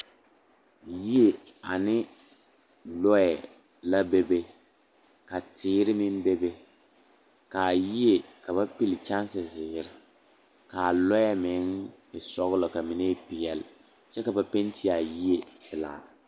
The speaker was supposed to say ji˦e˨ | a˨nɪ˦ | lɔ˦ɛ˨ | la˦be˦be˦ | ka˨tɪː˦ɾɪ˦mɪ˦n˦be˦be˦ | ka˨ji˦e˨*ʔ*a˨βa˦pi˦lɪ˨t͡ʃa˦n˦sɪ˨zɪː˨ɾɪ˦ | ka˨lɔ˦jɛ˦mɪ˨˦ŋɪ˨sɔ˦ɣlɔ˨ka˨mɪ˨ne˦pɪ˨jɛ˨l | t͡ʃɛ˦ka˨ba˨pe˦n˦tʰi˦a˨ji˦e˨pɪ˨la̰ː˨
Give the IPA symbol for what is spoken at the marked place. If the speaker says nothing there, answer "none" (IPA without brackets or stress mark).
k